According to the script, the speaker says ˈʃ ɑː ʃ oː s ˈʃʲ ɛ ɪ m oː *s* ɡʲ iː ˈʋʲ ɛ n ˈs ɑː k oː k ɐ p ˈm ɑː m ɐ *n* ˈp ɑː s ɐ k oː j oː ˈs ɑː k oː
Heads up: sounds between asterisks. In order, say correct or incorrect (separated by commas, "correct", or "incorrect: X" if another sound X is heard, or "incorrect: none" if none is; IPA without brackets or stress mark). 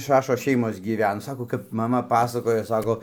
correct, incorrect: none